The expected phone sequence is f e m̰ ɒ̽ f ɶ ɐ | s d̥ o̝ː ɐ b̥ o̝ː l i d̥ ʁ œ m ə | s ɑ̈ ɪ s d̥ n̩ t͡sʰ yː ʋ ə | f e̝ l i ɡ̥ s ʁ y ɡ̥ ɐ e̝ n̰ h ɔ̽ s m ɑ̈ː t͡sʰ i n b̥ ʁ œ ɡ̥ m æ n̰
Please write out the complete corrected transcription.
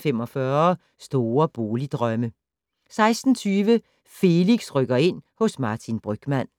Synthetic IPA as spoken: f e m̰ ɒ̽ f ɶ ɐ | s d̥ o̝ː ɐ b̥ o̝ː l i d̥ ʁ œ m ə | s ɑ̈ ɪ s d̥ n̩ t͡sʰ yː ʋ ə | f e̝ l i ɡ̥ s ʁ œ ɡ̥ ɐ e̝ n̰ h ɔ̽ s m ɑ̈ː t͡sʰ i n b̥ ʁ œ ɡ̥ m æ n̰